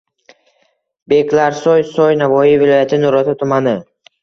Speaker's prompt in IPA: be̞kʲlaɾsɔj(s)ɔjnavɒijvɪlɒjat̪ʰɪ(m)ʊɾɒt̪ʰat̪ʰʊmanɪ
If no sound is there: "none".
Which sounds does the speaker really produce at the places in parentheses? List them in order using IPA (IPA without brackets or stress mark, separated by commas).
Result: s, n